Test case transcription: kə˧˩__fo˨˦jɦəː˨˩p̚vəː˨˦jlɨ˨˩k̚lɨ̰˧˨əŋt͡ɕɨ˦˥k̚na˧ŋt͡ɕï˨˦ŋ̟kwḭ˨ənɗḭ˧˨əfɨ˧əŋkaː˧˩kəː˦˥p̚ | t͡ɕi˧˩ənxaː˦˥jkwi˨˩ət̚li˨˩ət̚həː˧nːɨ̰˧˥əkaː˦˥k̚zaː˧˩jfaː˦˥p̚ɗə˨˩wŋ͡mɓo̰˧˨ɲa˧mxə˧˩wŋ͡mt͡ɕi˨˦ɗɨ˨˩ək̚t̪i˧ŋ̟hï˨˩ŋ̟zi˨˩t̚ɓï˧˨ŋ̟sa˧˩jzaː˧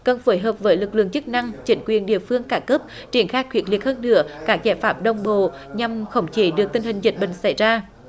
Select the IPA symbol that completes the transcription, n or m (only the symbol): n